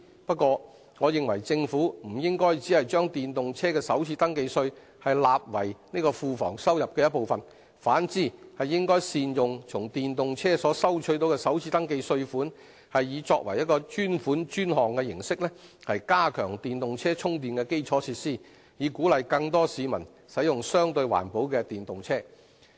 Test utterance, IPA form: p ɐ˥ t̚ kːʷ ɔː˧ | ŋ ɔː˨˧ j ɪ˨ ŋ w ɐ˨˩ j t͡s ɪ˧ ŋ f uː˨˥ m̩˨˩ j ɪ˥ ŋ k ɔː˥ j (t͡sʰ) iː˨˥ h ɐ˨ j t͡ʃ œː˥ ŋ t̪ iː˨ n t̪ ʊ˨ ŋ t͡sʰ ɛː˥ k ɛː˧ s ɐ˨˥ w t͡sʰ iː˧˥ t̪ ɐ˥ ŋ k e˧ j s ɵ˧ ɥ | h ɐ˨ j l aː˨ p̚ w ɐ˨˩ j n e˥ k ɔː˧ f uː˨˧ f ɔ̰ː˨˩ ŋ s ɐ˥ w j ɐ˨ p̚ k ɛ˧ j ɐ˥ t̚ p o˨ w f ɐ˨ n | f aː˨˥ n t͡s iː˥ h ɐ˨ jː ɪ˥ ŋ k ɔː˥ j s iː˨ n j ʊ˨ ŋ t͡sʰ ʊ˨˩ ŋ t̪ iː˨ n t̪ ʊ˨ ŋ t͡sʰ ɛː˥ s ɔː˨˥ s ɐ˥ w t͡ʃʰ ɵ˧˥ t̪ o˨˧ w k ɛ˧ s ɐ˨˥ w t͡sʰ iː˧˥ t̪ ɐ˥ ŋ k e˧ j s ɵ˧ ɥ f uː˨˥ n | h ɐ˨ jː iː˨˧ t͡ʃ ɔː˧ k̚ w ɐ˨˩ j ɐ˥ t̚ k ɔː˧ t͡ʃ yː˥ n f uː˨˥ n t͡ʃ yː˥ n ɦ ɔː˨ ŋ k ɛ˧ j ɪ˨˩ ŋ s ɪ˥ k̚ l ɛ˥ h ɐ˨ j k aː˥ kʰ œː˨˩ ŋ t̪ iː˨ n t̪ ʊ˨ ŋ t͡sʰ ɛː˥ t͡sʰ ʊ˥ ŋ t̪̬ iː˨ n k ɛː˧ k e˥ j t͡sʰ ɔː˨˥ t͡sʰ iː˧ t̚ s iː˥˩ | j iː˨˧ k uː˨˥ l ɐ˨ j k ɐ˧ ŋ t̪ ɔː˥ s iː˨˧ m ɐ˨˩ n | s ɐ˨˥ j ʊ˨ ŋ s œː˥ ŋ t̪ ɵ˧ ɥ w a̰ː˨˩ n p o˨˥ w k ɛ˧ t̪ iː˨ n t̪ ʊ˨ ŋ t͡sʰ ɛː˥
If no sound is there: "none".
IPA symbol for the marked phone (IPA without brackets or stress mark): t͡s